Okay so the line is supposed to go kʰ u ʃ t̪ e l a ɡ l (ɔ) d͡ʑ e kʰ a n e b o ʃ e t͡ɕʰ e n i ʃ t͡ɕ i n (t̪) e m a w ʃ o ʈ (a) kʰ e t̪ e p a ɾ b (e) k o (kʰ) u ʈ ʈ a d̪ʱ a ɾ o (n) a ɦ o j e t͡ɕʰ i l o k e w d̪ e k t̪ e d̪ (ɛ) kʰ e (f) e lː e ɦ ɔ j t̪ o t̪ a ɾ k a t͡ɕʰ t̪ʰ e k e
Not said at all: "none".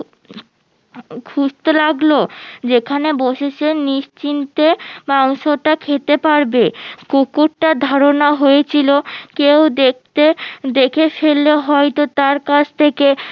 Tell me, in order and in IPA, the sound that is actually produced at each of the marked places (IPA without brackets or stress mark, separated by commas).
o, t̪, a, e, k, n, e, f